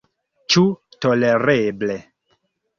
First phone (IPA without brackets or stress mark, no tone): t͡ʃ